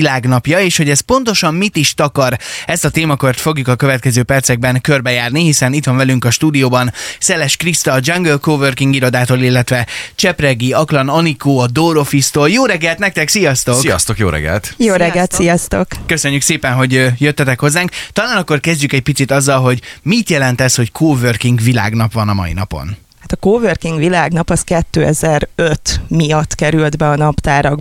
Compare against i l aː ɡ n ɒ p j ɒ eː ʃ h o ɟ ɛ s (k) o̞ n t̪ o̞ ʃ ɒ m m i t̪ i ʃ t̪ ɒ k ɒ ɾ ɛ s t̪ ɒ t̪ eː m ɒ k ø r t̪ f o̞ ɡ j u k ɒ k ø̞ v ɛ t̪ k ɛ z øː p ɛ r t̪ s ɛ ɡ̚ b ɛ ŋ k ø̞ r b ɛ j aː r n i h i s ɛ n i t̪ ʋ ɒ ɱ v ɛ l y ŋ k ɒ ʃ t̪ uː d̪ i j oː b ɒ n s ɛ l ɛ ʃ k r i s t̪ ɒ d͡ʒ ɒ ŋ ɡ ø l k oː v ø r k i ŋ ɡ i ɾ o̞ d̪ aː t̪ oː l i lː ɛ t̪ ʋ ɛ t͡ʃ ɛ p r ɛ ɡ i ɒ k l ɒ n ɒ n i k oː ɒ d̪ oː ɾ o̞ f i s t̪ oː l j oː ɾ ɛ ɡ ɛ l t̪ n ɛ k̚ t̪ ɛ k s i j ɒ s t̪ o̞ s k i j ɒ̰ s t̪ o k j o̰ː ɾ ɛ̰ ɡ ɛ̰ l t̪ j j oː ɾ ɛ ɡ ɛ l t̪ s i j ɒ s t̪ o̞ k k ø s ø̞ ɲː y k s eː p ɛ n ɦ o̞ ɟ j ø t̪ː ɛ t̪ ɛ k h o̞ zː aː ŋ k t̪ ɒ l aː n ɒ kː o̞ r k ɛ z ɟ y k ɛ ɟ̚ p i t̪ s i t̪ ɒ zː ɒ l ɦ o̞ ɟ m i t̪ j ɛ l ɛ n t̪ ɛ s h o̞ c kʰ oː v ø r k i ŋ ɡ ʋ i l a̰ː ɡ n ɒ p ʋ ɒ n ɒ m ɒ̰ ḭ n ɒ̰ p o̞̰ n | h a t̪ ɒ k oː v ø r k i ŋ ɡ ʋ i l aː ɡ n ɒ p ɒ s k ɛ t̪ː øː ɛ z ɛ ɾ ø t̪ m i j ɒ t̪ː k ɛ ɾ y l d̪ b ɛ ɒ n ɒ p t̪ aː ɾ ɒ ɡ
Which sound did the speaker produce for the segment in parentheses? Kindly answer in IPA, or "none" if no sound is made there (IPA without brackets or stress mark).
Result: p